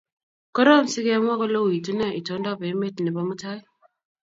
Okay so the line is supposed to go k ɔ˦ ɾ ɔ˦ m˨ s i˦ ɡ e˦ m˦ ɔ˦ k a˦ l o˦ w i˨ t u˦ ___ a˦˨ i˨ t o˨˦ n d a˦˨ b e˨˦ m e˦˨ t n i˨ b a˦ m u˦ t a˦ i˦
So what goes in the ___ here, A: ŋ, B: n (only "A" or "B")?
B